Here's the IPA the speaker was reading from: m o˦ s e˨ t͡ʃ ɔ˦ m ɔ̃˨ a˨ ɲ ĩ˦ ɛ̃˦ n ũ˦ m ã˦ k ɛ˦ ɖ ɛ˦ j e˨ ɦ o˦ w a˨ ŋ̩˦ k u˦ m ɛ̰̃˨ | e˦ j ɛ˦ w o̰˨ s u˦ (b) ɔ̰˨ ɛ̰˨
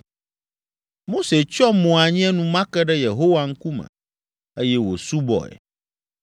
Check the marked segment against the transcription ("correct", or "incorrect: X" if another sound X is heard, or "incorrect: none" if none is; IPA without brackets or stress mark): correct